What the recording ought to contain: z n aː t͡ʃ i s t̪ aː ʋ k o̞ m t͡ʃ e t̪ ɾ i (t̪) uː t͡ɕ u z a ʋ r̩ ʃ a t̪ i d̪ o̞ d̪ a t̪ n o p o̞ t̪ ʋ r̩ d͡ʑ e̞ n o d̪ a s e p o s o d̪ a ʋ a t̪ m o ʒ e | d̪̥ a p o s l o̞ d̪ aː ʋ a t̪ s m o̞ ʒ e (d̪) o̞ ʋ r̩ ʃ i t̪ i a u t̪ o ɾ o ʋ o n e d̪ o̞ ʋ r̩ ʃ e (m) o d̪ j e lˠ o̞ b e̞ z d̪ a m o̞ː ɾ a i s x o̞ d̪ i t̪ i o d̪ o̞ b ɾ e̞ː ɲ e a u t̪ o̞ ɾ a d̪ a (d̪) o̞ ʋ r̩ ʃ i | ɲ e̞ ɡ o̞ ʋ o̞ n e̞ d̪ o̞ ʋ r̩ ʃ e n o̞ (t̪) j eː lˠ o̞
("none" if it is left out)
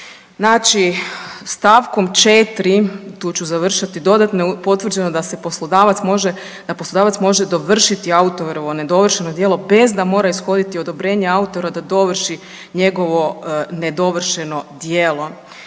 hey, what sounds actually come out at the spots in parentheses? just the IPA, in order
t̪, d̪, n, d̪, d̪

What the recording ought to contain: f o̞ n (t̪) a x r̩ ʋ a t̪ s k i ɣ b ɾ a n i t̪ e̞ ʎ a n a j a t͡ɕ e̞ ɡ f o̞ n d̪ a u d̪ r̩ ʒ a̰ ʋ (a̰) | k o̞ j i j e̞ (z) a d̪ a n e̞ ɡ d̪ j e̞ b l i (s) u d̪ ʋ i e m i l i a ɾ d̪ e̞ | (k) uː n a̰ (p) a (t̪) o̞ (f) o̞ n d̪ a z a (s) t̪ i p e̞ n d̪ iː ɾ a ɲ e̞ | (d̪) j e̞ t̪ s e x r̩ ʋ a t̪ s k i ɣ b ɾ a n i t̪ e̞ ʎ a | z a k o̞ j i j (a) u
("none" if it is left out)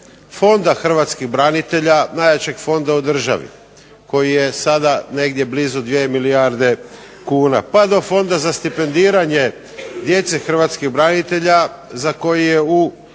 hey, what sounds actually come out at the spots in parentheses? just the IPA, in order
d̪, ḭ, s, z, k, p, d̪, f, s, d̪, e

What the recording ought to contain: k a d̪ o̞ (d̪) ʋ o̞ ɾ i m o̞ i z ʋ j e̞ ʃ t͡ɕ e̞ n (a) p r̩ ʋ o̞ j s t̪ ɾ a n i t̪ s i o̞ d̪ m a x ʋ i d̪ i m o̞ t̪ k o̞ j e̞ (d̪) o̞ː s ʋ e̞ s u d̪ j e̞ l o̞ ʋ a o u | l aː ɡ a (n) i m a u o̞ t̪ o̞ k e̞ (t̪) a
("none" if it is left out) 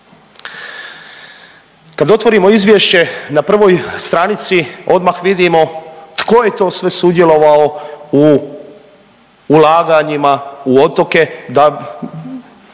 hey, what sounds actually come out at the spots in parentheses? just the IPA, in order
t̪, a, t̪, ɲ, d̪

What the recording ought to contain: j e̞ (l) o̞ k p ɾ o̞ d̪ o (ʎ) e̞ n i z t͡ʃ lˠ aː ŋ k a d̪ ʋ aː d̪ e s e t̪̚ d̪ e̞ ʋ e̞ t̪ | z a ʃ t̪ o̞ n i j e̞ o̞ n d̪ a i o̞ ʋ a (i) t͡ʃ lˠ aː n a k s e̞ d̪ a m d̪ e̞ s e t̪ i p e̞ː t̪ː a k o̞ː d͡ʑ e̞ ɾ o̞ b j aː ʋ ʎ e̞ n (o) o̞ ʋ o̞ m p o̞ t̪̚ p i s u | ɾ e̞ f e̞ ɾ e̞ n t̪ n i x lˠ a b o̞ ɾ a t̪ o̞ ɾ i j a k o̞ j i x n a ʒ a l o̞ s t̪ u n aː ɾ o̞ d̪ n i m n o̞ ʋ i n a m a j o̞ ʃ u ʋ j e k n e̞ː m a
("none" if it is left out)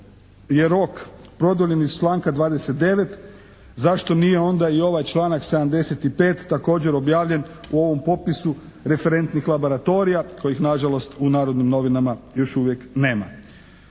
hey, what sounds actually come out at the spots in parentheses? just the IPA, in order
ɾ, ʎ, j, u

